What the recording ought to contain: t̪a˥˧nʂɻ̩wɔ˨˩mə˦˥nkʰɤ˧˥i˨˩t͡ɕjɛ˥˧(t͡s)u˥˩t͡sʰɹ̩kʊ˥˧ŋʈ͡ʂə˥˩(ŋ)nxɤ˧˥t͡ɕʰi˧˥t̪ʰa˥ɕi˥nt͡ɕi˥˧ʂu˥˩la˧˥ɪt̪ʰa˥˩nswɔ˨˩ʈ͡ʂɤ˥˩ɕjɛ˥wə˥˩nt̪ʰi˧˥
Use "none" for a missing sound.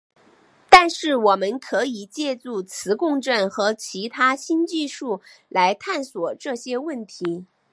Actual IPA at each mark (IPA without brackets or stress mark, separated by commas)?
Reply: t͡s, none